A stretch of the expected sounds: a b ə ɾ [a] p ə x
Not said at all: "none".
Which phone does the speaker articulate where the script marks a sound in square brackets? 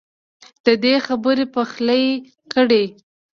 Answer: e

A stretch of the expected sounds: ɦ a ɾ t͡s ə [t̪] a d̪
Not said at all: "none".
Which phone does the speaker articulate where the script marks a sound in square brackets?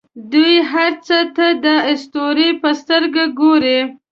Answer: t̪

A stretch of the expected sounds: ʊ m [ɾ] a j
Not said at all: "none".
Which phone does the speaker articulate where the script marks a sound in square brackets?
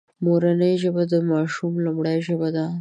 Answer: ɽ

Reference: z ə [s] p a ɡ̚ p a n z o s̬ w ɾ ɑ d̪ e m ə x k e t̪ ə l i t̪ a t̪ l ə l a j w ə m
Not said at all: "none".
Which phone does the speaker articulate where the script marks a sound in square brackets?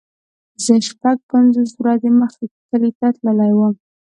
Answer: ʃ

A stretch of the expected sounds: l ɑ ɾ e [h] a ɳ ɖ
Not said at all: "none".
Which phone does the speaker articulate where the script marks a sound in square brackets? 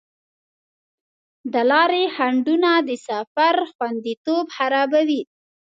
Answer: h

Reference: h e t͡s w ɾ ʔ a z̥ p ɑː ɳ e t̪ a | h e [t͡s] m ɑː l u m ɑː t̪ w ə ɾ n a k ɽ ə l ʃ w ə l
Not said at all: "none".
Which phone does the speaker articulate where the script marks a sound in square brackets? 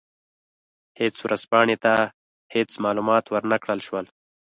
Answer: t͡s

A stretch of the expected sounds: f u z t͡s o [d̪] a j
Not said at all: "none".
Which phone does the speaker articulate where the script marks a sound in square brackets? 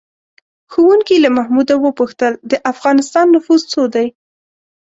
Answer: d̪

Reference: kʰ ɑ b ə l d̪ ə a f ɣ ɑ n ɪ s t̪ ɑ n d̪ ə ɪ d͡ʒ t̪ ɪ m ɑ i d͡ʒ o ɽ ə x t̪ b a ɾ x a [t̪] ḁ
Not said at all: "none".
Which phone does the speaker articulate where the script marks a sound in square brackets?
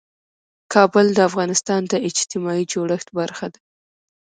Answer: d̪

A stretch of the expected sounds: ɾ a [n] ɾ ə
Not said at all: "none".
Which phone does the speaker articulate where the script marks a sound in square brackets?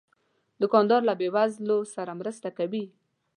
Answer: m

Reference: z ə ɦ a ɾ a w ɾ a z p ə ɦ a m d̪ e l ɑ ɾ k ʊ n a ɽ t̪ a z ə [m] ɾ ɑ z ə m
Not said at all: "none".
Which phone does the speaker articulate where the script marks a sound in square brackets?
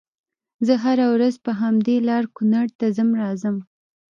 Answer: m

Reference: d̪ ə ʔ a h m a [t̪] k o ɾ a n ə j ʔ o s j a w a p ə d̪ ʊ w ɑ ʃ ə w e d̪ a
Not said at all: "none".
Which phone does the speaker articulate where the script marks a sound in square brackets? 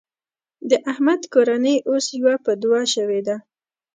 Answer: d̪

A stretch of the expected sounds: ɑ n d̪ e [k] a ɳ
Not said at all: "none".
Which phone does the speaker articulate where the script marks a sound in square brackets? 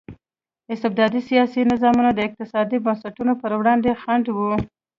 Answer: x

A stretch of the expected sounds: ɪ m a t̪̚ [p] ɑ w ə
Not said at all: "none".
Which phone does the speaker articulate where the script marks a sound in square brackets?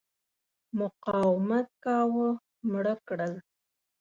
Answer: k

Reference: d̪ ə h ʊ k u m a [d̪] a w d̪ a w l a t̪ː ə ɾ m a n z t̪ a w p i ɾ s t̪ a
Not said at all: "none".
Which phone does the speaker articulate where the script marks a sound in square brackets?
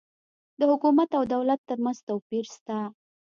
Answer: t̪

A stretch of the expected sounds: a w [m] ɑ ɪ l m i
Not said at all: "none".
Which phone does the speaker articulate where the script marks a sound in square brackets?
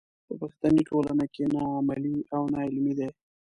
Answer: n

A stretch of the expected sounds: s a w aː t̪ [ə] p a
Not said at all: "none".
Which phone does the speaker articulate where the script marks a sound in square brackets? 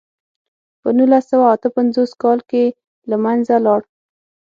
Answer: ə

